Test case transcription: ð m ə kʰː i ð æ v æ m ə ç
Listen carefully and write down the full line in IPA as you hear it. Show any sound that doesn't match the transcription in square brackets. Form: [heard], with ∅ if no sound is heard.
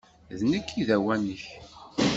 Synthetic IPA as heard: ð [n] ə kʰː i ð æ [w] æ [n] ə ç